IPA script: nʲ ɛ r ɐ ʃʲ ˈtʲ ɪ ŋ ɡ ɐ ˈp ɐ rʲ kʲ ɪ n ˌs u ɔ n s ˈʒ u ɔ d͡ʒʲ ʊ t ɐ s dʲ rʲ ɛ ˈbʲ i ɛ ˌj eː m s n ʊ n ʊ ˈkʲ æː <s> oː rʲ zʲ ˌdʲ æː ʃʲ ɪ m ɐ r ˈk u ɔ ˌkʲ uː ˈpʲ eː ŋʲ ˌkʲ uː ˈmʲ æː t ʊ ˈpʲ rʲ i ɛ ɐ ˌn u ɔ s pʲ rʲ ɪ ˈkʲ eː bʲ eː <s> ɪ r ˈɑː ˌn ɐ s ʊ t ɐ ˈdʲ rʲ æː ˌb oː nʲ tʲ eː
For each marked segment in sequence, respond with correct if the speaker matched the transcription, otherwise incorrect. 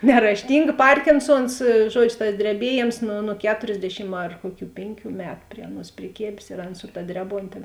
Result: incorrect: t, correct

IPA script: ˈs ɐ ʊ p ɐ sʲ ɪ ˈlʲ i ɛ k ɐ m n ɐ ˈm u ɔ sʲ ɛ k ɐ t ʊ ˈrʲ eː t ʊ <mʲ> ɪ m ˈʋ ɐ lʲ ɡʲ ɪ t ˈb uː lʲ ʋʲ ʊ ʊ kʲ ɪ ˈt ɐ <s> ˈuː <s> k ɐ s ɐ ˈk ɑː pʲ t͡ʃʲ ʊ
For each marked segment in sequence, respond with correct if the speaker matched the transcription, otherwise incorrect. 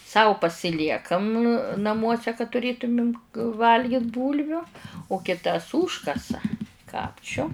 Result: correct, correct, incorrect: ʃ

